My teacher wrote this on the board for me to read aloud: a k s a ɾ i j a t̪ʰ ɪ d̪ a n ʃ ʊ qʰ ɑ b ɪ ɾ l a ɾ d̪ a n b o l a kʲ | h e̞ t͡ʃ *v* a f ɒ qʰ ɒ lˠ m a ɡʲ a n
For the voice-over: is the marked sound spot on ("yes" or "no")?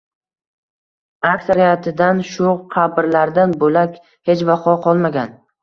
yes